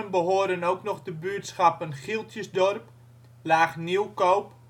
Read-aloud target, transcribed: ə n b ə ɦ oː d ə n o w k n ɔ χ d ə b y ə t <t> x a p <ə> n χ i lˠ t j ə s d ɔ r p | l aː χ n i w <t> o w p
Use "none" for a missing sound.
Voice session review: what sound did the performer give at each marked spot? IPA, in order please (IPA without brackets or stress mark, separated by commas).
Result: s, ə, k